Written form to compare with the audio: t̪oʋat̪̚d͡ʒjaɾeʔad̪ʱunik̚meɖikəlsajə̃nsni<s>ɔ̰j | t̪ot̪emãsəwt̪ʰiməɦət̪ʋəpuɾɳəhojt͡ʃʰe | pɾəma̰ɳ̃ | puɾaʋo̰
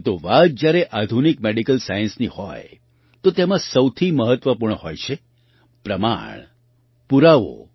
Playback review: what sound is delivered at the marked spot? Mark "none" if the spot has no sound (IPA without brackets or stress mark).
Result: h